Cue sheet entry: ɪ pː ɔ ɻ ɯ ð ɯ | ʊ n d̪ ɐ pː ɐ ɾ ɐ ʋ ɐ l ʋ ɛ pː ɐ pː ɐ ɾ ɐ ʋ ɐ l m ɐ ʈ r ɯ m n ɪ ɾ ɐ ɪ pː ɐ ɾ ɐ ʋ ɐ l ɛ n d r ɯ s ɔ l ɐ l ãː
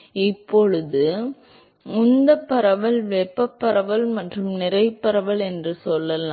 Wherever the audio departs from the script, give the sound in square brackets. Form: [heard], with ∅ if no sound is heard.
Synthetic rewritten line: ɪ pː ɔ ɻ ɯ ð ɯ | ʊ n d̪ ɐ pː ɐ ɾ ɐ ʋ ɐ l ʋ ɛ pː ɐ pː ɐ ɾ ɐ ʋ ɐ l m ɐ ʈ r ɯ m n ɪ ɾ ɐ ɪ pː ɐ ɾ ɐ ʋ ɐ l ɛ n d r ɯ s ɔ [lː] ɐ l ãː

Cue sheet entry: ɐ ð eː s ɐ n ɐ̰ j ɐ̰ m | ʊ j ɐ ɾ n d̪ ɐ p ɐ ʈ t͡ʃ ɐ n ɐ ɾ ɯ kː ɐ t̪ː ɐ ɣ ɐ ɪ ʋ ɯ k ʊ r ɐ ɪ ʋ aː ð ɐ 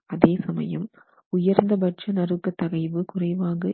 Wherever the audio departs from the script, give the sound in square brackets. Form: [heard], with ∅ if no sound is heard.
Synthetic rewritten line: ɐ ð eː s ɐ [m] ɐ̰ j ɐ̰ m | ʊ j ɐ ɾ n d̪ ɐ [b] ɐ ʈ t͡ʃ ɐ n ɐ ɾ ɯ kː ɐ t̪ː ɐ ɣ ɐ ɪ ʋ ɯ k ʊ r ɐ ɪ ʋ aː [ɣ] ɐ

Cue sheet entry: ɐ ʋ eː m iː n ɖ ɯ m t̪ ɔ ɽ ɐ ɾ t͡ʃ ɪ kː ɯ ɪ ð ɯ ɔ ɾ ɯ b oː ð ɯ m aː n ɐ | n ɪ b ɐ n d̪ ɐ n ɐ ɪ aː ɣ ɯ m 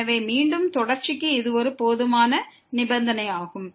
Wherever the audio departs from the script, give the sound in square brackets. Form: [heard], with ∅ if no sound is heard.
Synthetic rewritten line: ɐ ʋ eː m iː [ɳ] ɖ ɯ m t̪ ɔ ɽ ɐ ɾ t͡ʃ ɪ kː ɯ ɪ ð ɯ ɔ ɾ ɯ [p] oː ð ɯ m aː n ɐ | n ɪ b ɐ n d̪ ɐ n ɐ ɪ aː ɣ ɯ m

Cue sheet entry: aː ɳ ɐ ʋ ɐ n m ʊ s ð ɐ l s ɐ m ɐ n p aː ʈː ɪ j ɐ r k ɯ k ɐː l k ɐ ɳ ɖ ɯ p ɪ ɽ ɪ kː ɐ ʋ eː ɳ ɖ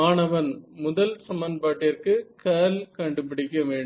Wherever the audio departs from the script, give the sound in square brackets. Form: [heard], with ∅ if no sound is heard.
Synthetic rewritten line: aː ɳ ɐ ʋ ɐ n m ʊ [∅] ð ɐ l s ɐ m ɐ n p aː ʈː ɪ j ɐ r k ɯ k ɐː l k ɐ ɳ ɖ ɯ p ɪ ɽ ɪ kː ɐ ʋ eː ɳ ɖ

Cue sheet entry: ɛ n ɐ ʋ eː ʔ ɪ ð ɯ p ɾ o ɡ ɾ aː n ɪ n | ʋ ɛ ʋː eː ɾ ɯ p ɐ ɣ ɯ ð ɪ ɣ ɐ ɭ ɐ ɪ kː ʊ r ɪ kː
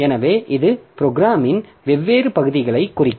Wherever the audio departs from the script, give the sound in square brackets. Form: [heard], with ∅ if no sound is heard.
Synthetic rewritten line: ɛ n ɐ ʋ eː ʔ ɪ ð ɯ p ɾ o ɡ ɾ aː [m] ɪ n | ʋ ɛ ʋː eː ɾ ɯ p ɐ ɣ ɯ ð ɪ ɣ ɐ ɭ ɐ ɪ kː ʊ r ɪ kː

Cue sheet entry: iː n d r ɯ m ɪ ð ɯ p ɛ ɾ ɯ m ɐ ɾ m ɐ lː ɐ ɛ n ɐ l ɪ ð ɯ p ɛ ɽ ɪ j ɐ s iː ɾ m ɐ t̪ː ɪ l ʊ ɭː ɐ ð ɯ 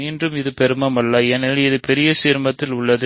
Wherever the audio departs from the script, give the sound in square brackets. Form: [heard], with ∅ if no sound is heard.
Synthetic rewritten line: iː n d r ɯ m ɪ ð ɯ p ɛ ɾ ɯ m ɐ [∅] m ɐ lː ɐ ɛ n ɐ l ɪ ð ɯ p ɛ [ɾ] ɪ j ɐ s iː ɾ m ɐ t̪ː ɪ l ʊ ɭː ɐ ð ɯ

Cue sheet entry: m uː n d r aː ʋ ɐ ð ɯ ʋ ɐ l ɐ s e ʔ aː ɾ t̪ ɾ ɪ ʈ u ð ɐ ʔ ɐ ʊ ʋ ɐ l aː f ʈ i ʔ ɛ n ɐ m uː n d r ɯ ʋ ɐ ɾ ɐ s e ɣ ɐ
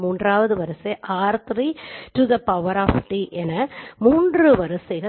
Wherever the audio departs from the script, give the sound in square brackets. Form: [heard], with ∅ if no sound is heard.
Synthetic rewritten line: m uː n d r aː ʋ ɐ ð ɯ ʋ ɐ [ɾ] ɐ s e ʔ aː ɾ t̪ ɾ [i] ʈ u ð ɐ [p] ɐ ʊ ʋ ɐ [ɾ] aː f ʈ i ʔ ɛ n ɐ m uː n d r ɯ ʋ ɐ ɾ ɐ s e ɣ ɐ

